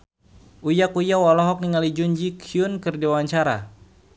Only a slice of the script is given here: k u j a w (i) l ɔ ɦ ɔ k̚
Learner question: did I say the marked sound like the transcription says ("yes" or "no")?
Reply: no